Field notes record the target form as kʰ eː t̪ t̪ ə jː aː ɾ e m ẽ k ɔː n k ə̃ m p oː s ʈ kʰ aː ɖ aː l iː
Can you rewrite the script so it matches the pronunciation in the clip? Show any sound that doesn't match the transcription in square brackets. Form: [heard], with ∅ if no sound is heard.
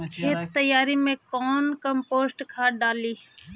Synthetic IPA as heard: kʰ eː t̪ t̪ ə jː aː ɾ [i] m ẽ k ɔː n k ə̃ m p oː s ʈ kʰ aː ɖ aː l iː